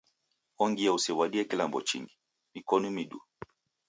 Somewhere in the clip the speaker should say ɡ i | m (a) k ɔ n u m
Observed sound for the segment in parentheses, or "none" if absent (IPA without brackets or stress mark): i